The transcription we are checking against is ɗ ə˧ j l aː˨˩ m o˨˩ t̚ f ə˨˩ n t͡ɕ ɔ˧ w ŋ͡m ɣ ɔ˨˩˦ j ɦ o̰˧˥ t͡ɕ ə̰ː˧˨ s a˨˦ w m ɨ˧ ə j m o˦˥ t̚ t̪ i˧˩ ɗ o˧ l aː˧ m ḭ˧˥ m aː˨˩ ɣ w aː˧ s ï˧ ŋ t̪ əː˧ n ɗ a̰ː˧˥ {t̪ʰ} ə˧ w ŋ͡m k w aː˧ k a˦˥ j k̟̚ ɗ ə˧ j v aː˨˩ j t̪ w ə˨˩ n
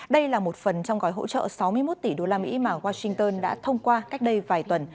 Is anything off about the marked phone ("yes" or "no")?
no